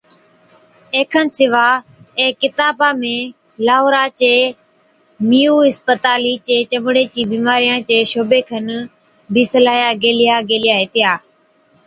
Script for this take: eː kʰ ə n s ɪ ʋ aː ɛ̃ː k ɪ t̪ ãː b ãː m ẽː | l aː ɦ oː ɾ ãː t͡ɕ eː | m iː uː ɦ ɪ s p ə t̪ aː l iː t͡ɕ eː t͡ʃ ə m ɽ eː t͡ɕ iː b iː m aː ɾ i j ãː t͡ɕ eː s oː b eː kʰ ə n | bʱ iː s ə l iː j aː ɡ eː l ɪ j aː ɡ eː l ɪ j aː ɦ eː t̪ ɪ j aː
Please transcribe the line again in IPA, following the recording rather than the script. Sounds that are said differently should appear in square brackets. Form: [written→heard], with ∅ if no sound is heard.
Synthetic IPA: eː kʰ ə n s ɪ ʋ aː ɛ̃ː k ɪ t̪ [ãː→aː] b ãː m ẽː | l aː ɦ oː ɾ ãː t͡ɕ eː | m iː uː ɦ ɪ s p ə t̪ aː l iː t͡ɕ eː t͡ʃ ə m ɽ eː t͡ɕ iː b iː m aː ɾ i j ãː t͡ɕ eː [s→ʃ] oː b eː kʰ ə n | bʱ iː s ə l [iː→aː] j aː ɡ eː l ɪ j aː ɡ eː l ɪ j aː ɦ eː t̪ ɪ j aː